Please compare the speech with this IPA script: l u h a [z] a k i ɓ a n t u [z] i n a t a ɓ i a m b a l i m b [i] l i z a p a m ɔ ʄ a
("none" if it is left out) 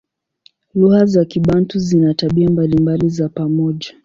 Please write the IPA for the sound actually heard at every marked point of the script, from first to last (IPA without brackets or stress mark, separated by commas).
z, z, a